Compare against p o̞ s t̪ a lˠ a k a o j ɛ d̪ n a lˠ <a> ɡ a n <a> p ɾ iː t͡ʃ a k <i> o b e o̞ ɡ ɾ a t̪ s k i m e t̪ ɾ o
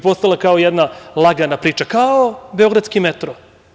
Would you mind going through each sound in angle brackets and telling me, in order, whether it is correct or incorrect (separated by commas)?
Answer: correct, correct, incorrect